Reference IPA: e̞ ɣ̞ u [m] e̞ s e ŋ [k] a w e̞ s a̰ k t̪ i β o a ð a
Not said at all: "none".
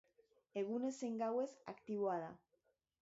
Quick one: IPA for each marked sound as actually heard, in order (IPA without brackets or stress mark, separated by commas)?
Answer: n, ɡ